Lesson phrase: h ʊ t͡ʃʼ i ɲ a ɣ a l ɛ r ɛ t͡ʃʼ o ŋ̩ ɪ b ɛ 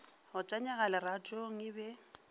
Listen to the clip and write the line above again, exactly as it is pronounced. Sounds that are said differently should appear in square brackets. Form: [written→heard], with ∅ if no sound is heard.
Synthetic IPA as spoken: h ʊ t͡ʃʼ [i→a] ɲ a ɣ a l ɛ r [ɛ→a] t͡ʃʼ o ŋ̩ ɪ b ɛ